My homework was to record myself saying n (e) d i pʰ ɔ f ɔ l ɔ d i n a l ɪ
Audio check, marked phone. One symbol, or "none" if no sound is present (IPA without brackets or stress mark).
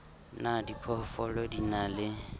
a